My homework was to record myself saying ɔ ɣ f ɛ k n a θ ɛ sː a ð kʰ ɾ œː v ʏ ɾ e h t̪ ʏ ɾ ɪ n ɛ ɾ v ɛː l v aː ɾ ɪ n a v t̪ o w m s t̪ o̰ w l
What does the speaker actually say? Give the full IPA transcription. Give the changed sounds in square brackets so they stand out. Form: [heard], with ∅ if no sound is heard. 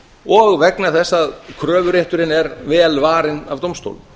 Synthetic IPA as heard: ɔ ɣ [v] ɛ k n a θ ɛ sː a ð kʰ ɾ œː v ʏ ɾ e h t̪ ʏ ɾ ɪ n ɛ ɾ v ɛː l v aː ɾ ɪ n a v t̪ o w m s t̪ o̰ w l